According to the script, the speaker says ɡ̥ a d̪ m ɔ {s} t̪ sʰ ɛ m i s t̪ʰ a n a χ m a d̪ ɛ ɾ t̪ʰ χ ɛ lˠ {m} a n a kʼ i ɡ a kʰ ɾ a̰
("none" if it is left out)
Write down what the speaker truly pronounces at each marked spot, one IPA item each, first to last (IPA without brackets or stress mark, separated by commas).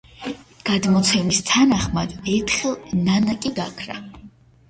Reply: none, n